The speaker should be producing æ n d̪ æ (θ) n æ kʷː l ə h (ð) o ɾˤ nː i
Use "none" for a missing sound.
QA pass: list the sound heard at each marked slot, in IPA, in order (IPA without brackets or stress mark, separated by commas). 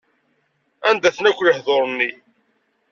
θ, ð